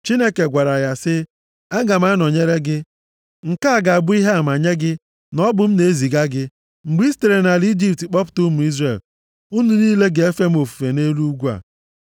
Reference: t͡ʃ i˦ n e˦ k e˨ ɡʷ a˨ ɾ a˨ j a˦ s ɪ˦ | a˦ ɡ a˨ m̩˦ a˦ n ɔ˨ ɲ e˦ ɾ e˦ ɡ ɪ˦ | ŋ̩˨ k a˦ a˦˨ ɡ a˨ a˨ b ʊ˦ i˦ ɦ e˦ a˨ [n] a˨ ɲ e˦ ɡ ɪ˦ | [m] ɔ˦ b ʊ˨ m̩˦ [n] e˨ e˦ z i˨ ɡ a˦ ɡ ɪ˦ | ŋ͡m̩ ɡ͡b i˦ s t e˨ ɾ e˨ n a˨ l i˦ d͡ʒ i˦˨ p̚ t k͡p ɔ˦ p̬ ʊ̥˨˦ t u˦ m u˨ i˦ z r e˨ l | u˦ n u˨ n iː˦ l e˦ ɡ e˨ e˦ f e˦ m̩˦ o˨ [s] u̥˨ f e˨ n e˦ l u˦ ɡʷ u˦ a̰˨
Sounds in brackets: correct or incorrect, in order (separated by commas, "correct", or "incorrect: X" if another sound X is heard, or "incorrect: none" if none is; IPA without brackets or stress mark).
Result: incorrect: m, incorrect: n, correct, incorrect: f